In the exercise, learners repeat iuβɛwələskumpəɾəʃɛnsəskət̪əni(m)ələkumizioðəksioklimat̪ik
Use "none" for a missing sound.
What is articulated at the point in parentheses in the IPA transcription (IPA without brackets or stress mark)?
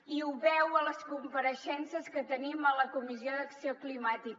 m